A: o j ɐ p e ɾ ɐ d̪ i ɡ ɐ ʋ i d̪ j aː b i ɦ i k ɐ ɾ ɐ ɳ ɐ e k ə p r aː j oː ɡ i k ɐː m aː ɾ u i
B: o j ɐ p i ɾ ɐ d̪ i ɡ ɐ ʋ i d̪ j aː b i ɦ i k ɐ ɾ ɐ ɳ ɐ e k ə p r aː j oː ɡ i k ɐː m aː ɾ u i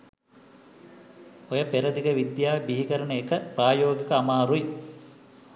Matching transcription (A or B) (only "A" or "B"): A